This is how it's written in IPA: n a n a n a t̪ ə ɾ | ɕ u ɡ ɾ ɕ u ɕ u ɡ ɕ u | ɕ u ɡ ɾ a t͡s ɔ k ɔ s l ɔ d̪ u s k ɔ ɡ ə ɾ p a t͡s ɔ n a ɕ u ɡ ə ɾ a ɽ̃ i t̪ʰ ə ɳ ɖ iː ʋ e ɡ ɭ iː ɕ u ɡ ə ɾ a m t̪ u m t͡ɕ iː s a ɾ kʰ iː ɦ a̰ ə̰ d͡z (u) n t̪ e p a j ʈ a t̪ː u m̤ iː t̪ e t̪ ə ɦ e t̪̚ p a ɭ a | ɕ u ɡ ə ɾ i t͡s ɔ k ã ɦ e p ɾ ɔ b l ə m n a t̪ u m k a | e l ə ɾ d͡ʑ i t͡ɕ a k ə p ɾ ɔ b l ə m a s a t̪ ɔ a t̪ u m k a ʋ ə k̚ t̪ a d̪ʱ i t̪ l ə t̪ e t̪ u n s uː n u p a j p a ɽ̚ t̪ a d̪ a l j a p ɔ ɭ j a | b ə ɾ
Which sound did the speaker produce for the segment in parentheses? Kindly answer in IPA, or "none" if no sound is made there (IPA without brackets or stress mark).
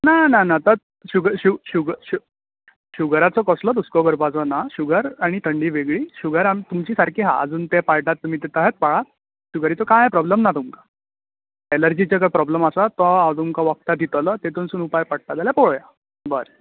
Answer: uː